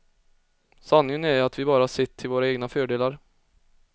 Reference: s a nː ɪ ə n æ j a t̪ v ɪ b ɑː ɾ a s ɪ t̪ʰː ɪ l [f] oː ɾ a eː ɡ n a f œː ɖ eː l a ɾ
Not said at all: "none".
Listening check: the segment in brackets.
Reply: v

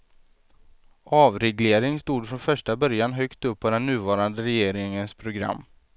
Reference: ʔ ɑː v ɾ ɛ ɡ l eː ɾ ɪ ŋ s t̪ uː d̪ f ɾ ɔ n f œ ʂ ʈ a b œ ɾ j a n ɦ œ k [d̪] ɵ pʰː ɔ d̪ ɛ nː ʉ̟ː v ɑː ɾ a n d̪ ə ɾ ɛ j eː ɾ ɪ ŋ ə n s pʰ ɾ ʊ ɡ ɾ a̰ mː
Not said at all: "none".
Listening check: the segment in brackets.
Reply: t̪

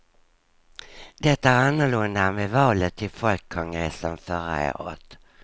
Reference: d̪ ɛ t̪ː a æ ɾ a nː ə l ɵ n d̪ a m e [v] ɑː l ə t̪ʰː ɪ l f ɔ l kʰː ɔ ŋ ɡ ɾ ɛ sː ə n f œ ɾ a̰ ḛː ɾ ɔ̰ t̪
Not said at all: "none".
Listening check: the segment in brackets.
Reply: v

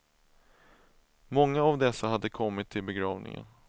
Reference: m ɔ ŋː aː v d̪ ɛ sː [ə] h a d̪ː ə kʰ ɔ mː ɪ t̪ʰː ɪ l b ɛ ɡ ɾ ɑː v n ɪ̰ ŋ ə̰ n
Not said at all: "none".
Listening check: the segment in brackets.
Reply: a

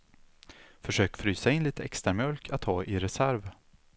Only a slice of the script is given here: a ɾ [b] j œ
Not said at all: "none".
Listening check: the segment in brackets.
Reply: m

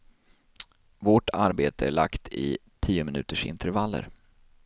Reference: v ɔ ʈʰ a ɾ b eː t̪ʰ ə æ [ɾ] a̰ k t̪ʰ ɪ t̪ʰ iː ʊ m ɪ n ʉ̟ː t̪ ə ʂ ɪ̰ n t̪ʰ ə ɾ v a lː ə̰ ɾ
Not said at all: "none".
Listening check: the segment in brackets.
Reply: ɭ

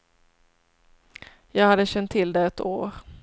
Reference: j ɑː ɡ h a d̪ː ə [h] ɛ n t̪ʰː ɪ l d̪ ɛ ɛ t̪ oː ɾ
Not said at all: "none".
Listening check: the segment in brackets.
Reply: ɕ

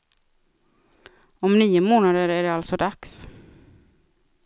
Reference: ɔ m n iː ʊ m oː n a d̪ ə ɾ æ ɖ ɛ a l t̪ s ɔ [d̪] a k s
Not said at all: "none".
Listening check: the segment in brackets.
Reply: d̪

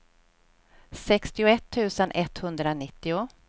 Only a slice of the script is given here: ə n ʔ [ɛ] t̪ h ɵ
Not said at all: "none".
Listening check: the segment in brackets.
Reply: ɛ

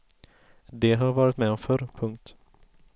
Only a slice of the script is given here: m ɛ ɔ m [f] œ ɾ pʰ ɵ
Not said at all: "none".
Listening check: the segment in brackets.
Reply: f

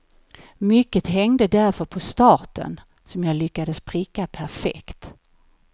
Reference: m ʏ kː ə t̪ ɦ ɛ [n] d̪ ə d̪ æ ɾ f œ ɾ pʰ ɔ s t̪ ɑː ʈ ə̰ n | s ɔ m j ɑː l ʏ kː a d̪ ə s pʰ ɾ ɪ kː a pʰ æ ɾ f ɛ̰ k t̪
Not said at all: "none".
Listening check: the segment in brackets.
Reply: ŋ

